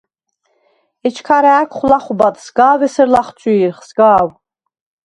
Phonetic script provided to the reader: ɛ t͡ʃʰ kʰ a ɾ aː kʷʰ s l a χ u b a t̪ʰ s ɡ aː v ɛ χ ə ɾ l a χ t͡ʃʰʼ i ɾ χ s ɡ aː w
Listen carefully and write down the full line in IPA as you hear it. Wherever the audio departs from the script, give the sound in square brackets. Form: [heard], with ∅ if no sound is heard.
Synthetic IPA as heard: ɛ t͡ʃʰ kʰ a ɾ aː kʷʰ [χ] l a χ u b a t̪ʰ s ɡ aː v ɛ [s] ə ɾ l a χ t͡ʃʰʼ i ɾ χ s ɡ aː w